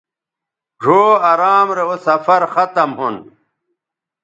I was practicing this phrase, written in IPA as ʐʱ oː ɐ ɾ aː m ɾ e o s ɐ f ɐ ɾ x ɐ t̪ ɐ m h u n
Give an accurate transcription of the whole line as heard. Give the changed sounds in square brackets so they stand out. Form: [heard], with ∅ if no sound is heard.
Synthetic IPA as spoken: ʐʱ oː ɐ ɾ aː m ɾ e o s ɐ f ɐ ɾ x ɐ t̪ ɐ m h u n